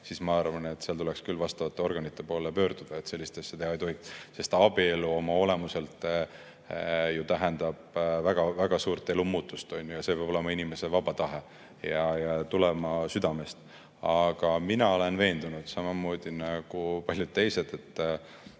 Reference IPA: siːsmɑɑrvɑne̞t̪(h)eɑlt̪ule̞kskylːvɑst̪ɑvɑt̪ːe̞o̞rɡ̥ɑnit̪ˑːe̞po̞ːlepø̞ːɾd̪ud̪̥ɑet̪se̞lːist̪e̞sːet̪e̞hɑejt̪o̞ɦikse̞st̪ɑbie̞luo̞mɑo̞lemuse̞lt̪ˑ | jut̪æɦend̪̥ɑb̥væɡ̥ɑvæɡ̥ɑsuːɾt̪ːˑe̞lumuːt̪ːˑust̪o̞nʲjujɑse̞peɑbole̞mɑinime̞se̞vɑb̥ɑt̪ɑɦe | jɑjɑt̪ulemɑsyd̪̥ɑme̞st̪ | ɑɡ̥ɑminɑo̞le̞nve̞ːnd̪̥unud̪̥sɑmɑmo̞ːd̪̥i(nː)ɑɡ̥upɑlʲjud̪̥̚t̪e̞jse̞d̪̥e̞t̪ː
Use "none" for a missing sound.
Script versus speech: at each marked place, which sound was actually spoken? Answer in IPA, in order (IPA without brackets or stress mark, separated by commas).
s, n